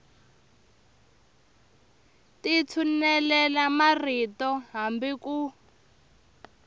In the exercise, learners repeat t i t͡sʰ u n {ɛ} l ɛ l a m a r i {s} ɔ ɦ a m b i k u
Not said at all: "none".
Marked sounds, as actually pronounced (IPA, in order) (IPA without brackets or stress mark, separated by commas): ɛ, t